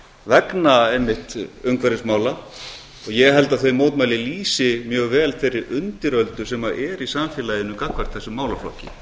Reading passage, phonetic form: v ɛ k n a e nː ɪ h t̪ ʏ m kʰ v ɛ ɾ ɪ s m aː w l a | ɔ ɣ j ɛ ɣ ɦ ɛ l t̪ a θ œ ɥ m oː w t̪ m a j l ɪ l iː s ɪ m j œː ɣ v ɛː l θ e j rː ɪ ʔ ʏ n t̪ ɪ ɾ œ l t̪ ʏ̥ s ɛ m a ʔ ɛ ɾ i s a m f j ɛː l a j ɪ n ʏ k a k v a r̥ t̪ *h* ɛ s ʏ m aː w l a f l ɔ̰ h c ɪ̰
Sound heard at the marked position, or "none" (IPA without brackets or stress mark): θ